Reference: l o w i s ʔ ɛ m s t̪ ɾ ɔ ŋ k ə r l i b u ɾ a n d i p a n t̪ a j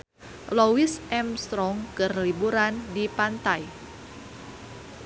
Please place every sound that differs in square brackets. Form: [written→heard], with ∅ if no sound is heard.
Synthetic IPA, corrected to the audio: l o w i s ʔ ɛ m s t̪ ɾ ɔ ŋ k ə r l i b u ɾ a n d i p a n t̪ a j